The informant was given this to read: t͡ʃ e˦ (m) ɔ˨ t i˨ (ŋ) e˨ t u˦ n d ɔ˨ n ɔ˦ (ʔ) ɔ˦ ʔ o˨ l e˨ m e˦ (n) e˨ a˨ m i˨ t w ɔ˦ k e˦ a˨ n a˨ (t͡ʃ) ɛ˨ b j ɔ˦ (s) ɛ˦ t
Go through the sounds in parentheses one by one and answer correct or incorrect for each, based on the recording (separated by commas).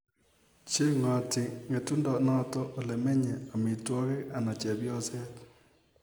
incorrect, correct, incorrect, incorrect, correct, correct